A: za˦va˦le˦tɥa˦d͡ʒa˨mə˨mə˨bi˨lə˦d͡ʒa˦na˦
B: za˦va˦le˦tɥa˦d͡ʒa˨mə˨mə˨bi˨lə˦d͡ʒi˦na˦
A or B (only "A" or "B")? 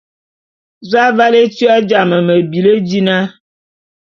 B